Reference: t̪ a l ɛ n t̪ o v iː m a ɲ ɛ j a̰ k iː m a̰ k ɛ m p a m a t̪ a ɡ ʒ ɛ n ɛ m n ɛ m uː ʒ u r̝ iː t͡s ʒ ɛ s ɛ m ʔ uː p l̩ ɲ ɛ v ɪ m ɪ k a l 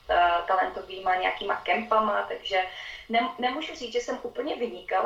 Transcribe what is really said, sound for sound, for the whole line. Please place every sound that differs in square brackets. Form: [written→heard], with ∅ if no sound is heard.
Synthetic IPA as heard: t̪ a l ɛ n t̪ o v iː m a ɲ ɛ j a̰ k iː m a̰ k ɛ m p a m a t̪ a ɡ ʒ ɛ n ɛ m n ɛ m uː ʒ u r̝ iː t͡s ʒ ɛ s ɛ m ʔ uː p l̩ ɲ ɛ v ɪ [m→ɲ] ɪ k a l